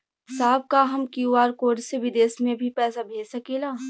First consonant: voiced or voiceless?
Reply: voiceless